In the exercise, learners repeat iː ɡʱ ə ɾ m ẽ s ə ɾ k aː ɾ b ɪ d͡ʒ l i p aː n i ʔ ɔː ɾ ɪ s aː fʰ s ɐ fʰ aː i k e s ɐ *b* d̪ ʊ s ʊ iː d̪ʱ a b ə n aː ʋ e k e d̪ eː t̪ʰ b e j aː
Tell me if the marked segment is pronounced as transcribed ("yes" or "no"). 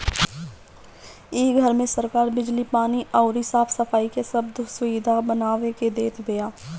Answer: yes